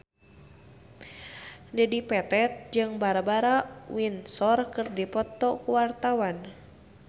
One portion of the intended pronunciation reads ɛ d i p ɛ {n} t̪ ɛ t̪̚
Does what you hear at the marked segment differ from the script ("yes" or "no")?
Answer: yes